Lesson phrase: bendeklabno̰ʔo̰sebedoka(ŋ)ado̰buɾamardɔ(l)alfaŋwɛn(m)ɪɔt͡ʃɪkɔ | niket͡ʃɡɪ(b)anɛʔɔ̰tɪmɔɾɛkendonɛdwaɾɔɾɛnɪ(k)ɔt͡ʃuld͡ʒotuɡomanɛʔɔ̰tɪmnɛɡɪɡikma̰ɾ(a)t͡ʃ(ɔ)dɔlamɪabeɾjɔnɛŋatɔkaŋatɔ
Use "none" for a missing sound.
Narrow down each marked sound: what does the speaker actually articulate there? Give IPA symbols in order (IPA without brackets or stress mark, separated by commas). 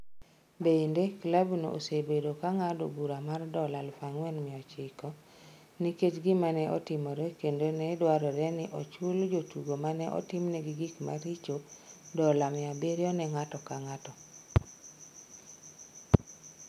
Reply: ŋ, l, m, m, ʔ, i, o